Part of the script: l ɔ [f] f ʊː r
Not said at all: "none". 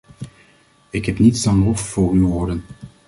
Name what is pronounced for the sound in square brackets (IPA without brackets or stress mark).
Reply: f